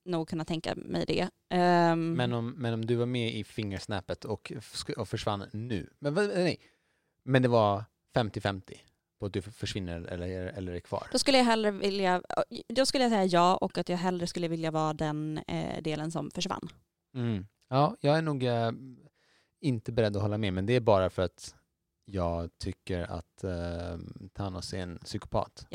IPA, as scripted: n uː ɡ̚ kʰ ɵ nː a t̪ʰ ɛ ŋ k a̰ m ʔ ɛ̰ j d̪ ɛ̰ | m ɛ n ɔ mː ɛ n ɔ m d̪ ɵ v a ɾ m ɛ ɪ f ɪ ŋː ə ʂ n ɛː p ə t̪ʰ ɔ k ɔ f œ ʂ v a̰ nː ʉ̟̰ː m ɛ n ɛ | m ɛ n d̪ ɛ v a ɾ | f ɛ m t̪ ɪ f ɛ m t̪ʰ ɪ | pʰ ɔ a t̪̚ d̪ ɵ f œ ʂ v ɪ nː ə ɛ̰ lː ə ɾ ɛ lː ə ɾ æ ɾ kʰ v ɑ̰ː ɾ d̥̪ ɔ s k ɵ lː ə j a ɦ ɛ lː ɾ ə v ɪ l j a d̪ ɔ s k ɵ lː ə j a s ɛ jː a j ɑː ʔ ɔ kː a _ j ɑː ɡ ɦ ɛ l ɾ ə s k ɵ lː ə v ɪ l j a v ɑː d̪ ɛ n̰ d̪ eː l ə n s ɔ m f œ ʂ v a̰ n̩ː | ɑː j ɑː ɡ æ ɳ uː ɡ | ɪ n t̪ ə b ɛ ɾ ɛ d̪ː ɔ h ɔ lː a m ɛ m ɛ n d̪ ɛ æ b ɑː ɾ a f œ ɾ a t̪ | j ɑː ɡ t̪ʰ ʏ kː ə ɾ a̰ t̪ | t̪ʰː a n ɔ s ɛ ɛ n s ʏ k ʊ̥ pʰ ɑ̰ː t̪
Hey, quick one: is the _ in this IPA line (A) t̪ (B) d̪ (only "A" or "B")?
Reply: A